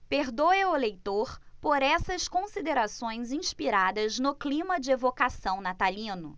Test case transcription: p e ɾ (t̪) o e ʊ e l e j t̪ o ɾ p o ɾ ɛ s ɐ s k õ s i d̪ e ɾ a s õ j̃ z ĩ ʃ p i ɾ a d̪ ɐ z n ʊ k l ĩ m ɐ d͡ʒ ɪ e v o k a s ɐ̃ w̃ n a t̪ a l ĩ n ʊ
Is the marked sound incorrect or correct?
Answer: incorrect